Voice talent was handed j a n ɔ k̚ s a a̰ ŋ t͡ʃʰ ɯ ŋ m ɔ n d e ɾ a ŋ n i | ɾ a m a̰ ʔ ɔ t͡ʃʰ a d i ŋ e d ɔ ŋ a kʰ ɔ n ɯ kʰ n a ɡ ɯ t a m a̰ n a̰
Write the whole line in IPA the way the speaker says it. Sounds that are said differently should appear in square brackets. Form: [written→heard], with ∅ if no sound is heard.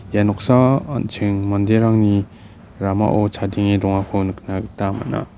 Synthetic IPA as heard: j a n ɔ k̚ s a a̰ [ŋ→n] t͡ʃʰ ɯ ŋ m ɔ n d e ɾ a ŋ n i | ɾ a m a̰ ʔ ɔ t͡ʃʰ a d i ŋ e d ɔ ŋ a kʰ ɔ n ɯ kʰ n a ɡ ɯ t a m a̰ n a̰